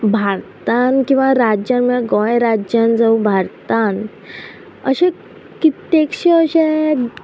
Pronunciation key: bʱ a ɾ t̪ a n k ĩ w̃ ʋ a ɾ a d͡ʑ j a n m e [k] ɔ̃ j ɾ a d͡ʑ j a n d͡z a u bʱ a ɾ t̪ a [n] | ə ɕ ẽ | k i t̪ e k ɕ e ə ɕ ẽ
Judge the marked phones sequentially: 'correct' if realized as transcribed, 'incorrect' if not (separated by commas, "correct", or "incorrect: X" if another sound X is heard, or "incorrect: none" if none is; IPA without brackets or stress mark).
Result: incorrect: ɡ, correct